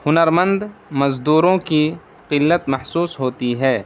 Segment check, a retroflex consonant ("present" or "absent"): absent